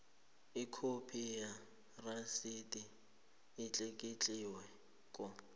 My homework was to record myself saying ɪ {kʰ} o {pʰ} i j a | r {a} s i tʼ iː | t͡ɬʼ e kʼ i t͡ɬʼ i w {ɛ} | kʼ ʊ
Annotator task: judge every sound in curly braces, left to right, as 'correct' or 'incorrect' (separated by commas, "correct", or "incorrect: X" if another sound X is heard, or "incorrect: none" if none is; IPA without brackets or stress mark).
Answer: correct, correct, correct, correct